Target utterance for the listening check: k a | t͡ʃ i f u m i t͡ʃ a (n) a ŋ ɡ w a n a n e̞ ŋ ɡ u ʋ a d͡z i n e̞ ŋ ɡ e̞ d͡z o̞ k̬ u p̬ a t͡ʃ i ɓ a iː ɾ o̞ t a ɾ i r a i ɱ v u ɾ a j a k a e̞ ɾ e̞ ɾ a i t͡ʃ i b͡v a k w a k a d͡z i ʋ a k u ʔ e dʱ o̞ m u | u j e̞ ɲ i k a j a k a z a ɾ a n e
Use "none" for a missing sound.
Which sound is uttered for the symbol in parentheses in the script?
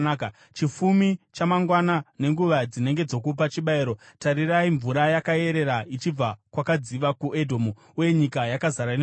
m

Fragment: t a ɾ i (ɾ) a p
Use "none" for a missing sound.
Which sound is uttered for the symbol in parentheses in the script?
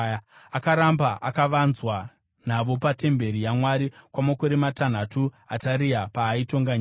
none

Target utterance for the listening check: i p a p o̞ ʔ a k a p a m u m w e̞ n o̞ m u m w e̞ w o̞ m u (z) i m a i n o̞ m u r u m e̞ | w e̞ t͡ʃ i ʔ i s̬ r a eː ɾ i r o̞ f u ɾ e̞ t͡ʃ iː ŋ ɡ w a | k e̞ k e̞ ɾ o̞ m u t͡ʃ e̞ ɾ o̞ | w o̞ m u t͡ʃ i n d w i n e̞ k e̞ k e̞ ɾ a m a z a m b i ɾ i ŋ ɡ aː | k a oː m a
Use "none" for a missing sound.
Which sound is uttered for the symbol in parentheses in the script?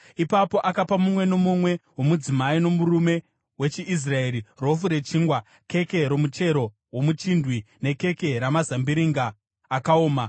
d͡z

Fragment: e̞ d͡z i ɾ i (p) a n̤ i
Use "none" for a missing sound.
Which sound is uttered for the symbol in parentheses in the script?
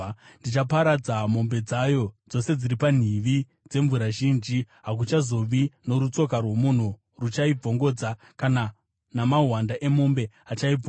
p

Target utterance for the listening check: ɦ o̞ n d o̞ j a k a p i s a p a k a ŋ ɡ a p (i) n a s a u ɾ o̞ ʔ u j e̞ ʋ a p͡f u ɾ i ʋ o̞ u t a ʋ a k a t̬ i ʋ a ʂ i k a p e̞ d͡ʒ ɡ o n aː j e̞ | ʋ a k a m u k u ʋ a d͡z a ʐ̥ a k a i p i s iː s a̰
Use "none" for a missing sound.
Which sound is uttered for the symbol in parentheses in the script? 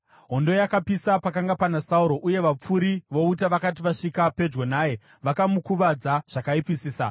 a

